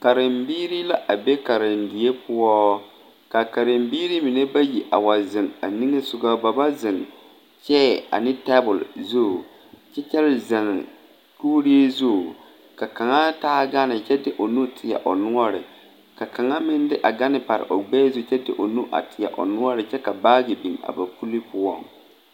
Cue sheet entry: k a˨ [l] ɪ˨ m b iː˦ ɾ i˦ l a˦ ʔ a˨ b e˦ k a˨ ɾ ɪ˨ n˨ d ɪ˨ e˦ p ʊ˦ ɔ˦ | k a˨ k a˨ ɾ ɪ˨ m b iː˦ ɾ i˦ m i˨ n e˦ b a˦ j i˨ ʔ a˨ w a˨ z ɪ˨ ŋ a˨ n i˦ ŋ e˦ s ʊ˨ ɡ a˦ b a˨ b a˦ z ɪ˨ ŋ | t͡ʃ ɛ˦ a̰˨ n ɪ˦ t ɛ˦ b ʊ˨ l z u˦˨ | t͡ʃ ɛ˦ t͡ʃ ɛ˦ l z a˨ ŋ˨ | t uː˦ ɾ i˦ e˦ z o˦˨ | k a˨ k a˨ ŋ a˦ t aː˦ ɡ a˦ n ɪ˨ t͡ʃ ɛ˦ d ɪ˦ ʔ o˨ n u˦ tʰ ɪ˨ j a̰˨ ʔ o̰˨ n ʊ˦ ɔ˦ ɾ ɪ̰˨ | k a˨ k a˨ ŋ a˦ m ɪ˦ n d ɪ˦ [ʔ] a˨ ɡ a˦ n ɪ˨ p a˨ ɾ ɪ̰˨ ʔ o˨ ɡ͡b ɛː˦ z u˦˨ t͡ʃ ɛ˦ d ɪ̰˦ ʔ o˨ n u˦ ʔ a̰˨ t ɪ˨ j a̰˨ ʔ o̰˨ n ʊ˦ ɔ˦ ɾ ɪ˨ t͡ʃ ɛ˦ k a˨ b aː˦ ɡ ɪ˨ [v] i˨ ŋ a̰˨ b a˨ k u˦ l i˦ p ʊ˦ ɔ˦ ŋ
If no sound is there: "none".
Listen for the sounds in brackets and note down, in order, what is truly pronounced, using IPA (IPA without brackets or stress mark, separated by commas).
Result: ɾ, ʔ, b